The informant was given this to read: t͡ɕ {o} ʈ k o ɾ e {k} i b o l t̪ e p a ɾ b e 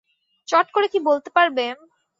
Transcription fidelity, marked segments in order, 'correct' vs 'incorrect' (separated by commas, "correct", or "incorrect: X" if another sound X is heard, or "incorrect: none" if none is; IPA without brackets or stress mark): incorrect: ɔ, correct